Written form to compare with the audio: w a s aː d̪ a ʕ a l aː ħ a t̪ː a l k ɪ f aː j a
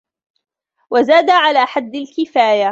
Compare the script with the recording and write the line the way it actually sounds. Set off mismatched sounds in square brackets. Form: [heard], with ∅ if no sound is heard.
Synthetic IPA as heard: w a [z] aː d̪ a ʕ a l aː ħ a [d̪ː] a l k ɪ f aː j a